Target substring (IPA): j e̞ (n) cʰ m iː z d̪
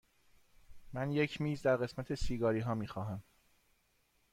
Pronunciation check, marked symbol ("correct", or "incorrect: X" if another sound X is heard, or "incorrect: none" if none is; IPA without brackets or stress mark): incorrect: none